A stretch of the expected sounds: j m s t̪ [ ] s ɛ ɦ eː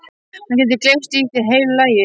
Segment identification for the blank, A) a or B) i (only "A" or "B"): B